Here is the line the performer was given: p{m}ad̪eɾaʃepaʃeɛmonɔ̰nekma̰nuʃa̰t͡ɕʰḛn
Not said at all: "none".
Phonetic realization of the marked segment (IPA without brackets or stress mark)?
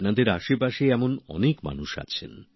n